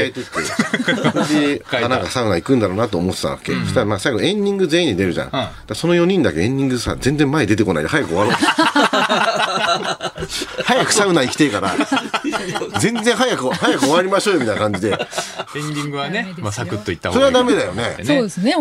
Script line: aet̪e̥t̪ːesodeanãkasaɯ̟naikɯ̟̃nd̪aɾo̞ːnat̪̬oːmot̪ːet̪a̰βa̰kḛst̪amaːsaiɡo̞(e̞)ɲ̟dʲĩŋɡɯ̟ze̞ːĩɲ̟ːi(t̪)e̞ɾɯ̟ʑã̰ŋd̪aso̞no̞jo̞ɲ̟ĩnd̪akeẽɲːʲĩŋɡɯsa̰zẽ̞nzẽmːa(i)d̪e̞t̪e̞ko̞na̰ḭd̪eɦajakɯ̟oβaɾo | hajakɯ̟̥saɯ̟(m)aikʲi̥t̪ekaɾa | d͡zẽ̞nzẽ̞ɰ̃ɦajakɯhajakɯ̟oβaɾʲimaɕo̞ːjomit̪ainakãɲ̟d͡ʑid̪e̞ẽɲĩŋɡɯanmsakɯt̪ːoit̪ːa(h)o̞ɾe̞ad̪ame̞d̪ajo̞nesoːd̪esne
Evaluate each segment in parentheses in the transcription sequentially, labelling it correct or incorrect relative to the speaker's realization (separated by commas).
incorrect, incorrect, incorrect, incorrect, incorrect